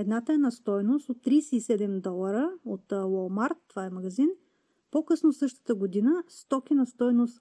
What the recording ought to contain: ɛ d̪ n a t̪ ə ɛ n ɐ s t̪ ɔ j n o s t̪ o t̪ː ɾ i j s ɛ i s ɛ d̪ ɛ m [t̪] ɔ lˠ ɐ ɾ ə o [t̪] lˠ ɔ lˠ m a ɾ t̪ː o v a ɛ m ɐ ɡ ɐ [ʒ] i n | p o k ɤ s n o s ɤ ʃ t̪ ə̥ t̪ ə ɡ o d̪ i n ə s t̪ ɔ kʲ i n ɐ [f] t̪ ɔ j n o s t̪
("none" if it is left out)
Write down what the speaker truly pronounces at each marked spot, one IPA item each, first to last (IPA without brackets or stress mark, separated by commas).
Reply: d̪, t̪, z, s